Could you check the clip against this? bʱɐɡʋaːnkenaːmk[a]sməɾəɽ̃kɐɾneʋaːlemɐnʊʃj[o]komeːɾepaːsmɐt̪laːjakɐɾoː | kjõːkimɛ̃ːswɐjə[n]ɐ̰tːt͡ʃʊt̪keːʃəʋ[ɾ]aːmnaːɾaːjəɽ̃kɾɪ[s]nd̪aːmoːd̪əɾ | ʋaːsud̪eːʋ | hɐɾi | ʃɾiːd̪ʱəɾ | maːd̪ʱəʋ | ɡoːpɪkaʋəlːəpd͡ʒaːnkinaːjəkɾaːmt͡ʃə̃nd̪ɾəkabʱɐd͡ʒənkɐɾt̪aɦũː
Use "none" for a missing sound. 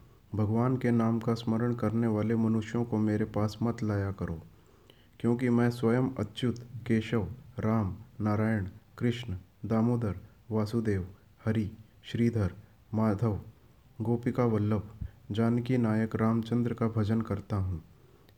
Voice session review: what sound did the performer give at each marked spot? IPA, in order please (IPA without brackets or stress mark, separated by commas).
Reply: a, õ, m, ɾ, ʃ